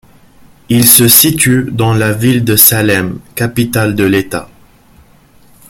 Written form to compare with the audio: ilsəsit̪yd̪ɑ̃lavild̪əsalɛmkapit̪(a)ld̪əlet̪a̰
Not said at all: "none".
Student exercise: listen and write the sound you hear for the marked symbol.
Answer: a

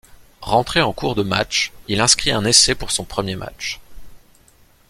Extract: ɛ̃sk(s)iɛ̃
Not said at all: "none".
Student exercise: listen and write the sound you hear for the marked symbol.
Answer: χ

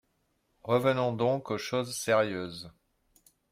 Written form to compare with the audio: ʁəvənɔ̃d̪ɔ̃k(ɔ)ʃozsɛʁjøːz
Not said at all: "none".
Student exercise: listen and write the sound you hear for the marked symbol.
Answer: o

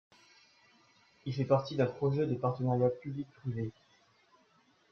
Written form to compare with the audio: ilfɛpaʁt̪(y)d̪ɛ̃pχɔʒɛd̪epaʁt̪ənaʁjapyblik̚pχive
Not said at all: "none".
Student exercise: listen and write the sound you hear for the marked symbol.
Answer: i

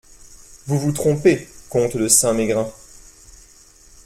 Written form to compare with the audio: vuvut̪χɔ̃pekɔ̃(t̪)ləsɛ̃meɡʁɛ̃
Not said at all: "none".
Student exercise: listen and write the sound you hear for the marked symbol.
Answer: t̪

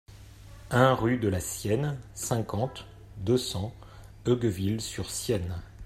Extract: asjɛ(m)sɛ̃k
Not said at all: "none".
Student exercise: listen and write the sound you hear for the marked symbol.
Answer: n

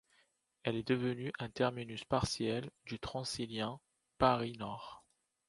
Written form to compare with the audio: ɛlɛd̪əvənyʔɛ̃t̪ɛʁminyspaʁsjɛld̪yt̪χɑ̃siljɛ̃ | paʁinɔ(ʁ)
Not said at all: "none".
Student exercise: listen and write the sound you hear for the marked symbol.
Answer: ʁ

